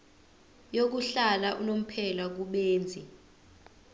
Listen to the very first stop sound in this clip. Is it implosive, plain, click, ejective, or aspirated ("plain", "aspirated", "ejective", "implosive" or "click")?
plain